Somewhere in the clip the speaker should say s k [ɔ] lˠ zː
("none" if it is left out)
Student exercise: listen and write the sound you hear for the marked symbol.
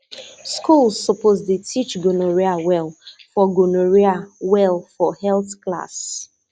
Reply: u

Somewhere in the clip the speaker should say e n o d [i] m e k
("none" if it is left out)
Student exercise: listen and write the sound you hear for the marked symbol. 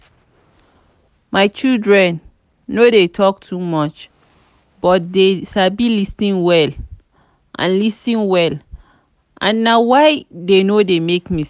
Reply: e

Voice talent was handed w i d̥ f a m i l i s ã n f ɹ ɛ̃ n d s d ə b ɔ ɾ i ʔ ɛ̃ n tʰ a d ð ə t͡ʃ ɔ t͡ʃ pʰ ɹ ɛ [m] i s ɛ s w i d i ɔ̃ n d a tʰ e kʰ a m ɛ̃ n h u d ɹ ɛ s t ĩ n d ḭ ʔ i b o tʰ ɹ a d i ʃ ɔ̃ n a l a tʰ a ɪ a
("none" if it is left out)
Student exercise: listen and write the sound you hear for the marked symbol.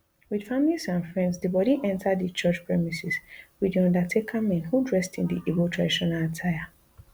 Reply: m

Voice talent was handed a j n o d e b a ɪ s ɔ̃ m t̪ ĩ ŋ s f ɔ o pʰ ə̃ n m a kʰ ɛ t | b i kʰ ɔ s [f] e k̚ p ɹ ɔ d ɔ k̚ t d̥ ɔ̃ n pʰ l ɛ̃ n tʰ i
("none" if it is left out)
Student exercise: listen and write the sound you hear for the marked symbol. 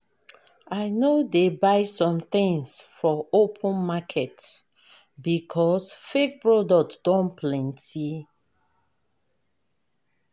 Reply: f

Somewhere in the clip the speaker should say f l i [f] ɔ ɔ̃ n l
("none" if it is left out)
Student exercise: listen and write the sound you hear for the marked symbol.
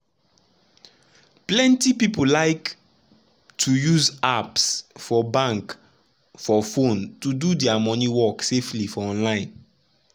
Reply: f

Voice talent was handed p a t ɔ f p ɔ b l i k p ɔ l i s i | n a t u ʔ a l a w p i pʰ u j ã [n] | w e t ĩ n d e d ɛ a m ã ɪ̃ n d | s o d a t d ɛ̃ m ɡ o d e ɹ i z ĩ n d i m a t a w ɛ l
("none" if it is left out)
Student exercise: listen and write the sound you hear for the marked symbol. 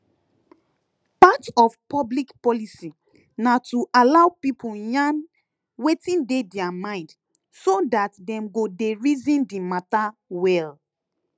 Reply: n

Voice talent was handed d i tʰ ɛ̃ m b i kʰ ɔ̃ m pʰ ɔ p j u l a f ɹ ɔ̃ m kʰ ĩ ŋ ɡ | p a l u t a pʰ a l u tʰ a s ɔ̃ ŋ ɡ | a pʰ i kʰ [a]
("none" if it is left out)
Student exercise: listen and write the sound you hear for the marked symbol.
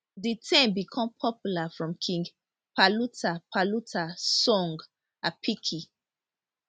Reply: i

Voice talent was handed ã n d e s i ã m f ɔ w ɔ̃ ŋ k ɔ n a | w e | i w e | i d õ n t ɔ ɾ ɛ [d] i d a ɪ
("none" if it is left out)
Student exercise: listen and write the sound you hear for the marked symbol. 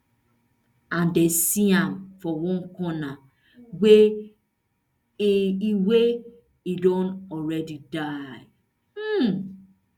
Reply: d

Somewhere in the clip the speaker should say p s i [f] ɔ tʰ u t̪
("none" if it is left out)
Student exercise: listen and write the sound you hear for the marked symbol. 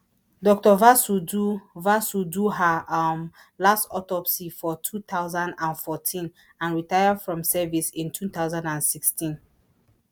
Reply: f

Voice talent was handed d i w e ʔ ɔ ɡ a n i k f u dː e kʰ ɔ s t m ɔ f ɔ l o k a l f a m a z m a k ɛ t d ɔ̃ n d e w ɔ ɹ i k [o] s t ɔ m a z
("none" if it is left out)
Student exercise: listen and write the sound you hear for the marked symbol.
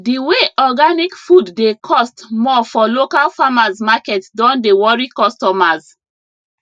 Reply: ɔ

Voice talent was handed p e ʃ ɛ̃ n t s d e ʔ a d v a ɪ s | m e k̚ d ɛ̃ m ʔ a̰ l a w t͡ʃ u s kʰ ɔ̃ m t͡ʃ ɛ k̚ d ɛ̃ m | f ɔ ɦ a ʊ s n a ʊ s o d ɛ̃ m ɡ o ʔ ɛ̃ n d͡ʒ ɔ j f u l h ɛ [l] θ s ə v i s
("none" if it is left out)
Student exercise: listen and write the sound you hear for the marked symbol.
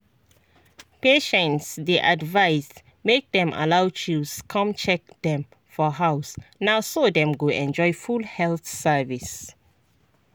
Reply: l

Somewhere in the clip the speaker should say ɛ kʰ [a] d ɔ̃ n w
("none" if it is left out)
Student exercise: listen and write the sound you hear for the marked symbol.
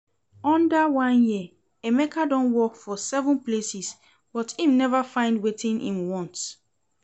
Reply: a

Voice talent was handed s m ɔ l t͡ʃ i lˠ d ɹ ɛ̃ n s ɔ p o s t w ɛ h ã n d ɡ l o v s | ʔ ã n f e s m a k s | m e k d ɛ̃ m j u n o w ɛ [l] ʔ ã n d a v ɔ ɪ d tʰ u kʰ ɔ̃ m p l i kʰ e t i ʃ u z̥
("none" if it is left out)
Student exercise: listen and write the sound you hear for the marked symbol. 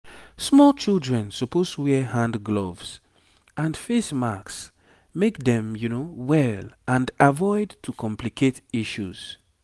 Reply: l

